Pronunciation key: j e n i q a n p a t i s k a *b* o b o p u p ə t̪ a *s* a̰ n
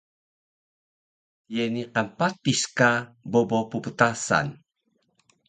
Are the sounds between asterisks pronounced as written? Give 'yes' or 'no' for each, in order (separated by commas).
yes, yes